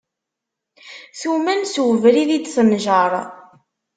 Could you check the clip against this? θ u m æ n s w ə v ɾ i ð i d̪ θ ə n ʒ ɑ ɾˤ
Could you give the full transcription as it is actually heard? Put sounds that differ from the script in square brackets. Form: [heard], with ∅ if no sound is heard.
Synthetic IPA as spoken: θ u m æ n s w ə v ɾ i ð i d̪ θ ə n ʒ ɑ ɾˤ

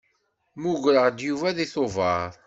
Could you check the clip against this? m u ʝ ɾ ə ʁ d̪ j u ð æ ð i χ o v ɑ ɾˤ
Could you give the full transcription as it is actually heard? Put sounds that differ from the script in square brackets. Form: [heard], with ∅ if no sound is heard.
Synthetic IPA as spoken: m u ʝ ɾ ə ʁ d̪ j u [v] æ ð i [θ] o v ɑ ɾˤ

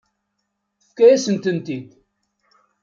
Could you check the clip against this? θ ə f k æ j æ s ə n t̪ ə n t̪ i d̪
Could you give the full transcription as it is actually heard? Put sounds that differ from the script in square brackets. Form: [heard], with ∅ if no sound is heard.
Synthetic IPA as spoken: θ ə f k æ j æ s ə n t̪ ə n t̪ i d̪

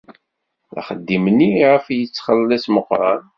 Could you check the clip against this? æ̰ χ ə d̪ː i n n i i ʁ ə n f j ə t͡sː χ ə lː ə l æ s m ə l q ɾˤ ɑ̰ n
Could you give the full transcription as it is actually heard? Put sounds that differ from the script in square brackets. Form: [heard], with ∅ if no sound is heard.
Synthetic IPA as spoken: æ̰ χ ə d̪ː i [m] n i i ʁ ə [∅] f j ə t͡sː χ ə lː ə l æ s m ə [∅] q ɾˤ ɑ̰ n

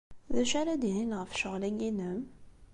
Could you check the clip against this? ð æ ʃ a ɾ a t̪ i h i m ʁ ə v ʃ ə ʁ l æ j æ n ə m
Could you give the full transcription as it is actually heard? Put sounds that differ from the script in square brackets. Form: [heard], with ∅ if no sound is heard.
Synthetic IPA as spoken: ð æ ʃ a ɾ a [d̪] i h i [n] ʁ ə [f] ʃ ə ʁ l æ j [i] n ə m

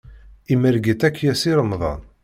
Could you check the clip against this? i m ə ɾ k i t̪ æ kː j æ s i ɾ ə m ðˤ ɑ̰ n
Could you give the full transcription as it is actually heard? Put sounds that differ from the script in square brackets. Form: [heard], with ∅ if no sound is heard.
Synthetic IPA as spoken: i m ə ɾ [ɡ] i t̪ æ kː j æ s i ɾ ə m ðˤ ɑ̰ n

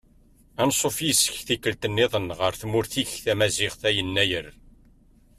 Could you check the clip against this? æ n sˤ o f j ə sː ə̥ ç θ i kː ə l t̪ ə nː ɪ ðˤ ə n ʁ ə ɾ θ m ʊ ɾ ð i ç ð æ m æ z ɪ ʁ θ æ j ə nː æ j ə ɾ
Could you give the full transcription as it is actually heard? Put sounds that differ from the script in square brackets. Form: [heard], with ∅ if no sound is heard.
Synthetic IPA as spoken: æ n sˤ o f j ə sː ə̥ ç θ i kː ə l t̪ ə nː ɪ ðˤ ə n ʁ ə ɾ θ m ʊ ɾ [θ] i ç [θ] æ m æ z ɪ ʁ θ æ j ə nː æ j ə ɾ

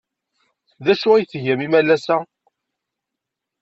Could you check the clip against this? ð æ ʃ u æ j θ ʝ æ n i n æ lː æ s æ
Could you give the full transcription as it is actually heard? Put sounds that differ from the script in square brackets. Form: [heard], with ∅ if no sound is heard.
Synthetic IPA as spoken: ð æ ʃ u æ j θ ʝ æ [m] i [m] æ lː æ s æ

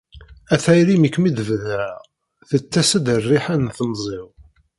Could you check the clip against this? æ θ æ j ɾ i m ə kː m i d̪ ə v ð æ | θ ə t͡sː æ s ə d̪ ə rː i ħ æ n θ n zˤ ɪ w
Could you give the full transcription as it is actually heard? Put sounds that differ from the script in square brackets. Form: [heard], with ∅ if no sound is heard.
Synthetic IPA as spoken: æ θ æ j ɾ i m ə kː m i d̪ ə v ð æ | θ ə t͡sː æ s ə d̪ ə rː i ħ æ n θ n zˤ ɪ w

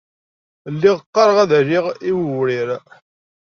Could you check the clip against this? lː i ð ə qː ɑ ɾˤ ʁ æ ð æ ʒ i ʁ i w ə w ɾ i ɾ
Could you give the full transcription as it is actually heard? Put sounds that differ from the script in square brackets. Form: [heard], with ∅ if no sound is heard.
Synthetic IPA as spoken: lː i [ʁ] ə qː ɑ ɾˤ ʁ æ ð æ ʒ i ʁ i w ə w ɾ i ɾ

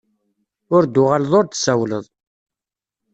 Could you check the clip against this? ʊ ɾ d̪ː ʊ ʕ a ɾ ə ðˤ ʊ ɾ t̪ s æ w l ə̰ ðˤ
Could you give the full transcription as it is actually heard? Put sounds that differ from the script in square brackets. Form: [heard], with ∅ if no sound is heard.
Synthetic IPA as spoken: ʊ ɾ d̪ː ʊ [ʁ] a [l] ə ðˤ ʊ ɾ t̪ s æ w l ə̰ ðˤ

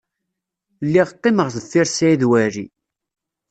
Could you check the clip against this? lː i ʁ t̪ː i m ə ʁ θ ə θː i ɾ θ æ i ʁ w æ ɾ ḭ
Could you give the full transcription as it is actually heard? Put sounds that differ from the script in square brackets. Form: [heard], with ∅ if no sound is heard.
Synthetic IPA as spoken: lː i ʁ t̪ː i m ə ʁ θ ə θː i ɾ [s] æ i [ð] w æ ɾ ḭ

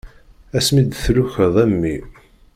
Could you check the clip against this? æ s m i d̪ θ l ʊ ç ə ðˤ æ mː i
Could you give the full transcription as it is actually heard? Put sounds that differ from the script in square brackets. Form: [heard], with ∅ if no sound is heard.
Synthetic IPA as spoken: æ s m i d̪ θ l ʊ ç ə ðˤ æ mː i

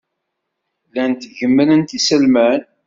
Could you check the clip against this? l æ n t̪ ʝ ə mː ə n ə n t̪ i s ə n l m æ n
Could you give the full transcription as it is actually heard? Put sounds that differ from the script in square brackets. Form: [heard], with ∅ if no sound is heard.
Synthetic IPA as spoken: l æ n t̪ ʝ ə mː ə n ə n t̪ i s ə [∅] l m æ n

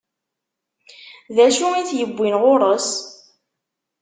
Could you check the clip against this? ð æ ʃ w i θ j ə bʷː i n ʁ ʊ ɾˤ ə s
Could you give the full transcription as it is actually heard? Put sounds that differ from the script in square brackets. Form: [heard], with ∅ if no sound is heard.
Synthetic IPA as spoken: ð æ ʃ [u] i θ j ə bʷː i n ʁ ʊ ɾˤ ə s

